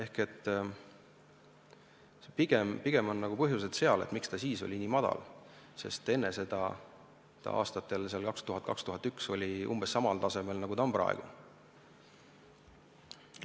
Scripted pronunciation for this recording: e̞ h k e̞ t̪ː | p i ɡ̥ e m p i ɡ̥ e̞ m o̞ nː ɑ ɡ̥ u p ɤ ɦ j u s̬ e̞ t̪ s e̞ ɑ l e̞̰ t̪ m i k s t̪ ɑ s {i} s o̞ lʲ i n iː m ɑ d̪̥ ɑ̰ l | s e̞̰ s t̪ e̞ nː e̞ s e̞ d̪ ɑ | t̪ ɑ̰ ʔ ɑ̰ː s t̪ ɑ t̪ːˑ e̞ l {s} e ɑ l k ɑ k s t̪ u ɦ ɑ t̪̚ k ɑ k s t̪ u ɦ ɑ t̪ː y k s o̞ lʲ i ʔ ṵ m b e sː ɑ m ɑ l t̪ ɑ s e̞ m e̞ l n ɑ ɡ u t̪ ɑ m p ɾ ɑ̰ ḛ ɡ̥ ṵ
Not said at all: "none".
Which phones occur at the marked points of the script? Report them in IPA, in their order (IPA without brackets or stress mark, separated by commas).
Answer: iː, s